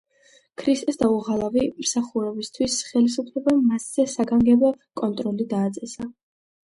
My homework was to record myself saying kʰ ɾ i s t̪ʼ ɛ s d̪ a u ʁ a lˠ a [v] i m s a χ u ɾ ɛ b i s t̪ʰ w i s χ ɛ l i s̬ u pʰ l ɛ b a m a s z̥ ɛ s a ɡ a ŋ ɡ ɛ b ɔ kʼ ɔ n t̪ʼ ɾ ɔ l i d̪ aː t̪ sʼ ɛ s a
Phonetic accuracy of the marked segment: correct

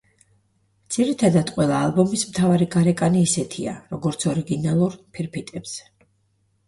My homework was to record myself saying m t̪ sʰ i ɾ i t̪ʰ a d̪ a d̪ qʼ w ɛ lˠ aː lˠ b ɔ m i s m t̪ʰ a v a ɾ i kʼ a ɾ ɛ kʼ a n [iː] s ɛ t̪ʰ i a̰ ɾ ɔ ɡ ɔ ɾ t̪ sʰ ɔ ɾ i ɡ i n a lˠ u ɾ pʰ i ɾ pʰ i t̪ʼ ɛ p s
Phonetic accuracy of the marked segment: correct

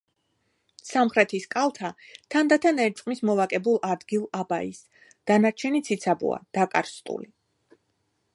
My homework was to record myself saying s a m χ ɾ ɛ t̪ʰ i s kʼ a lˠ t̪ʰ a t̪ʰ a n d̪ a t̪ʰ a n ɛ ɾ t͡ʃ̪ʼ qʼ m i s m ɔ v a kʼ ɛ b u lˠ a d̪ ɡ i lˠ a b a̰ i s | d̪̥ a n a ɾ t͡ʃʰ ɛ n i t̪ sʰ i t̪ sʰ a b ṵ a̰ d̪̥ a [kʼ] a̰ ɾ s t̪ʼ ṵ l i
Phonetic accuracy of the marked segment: correct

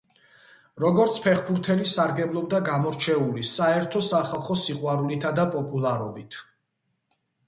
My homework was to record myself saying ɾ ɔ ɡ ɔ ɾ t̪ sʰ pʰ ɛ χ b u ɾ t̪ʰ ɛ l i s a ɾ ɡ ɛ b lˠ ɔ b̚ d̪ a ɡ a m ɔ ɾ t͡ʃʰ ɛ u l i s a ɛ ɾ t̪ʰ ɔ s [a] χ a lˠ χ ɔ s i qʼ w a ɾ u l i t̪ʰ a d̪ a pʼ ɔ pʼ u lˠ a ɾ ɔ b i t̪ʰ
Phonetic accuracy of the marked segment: correct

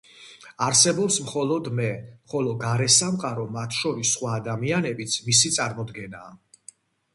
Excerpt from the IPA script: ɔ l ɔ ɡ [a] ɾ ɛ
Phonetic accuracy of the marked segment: correct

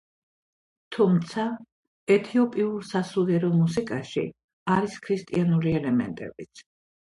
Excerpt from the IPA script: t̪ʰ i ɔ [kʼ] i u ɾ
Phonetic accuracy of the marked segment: incorrect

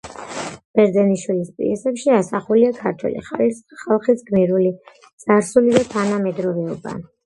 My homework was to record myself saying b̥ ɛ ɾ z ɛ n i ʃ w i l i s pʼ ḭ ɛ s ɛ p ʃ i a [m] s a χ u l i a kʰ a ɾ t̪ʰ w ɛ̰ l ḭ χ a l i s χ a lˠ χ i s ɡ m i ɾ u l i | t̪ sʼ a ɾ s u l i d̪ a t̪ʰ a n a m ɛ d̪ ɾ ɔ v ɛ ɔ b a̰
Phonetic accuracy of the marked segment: incorrect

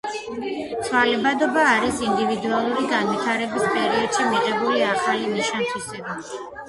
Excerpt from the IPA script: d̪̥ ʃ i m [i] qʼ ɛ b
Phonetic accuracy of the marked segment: correct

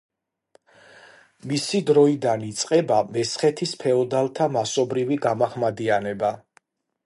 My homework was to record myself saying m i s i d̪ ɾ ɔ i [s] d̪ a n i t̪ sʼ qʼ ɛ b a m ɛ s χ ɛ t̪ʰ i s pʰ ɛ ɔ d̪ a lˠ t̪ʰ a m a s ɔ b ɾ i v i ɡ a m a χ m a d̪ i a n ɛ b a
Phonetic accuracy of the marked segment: incorrect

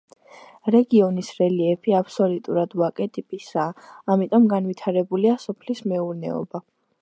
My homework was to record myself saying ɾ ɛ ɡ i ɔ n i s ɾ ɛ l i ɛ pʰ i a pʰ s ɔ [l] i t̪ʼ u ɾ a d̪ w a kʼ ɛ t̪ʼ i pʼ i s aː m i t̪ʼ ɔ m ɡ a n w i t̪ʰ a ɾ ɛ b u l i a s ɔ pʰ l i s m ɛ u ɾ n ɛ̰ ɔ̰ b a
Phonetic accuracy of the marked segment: correct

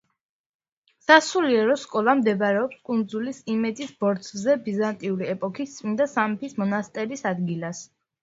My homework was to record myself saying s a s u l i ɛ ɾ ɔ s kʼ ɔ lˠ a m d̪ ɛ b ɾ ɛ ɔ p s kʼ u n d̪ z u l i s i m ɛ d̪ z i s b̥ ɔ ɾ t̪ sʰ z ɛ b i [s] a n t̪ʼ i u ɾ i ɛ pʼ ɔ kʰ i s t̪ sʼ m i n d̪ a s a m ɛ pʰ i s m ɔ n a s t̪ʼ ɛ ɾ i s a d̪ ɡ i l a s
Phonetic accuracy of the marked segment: incorrect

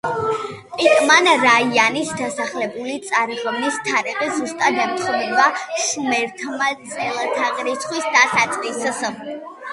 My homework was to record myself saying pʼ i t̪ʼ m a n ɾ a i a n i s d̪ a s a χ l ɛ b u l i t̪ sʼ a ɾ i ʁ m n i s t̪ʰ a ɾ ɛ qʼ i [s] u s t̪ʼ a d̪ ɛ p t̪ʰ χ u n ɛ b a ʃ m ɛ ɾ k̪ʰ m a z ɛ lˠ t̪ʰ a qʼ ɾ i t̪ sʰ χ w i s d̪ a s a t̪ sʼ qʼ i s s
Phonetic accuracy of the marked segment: incorrect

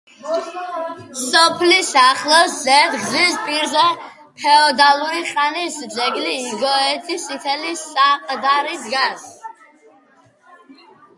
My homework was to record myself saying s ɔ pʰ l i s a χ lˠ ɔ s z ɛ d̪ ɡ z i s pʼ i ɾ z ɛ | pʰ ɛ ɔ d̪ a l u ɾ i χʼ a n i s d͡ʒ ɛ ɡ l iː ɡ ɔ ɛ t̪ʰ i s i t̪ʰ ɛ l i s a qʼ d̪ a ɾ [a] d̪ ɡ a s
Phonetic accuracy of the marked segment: incorrect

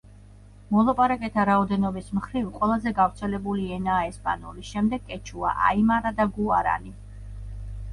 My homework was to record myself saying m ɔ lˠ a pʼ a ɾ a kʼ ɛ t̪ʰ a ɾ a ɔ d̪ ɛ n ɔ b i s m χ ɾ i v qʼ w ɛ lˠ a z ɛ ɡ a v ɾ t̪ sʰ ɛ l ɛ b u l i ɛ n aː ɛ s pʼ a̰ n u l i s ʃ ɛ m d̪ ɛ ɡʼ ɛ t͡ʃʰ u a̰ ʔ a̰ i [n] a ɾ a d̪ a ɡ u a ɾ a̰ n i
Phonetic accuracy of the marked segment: incorrect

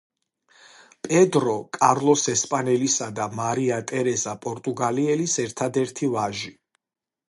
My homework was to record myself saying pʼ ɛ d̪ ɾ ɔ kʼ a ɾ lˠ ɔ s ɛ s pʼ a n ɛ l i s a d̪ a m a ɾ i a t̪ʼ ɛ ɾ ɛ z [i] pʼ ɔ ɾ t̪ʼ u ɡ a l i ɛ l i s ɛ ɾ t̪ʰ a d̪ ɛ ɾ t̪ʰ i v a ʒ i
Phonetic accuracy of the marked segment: incorrect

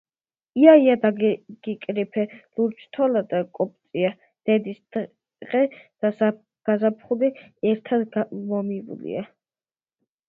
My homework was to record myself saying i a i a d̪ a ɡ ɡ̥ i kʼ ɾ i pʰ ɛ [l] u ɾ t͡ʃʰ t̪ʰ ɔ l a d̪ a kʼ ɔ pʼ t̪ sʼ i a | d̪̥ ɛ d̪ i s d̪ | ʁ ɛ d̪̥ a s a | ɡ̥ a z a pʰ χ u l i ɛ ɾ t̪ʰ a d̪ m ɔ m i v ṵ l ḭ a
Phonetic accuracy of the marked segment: correct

